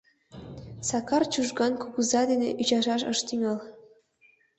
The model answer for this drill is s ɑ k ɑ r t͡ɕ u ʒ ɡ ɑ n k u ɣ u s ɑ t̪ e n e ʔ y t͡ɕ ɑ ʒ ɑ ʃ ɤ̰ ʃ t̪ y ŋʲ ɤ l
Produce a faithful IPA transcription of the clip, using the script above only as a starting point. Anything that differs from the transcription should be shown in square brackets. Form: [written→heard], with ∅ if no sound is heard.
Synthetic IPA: s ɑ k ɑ r t͡ɕ u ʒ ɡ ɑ n k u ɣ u [s→z] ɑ [t̪→d̪] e n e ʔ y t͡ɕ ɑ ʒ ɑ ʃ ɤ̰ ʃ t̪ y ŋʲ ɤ l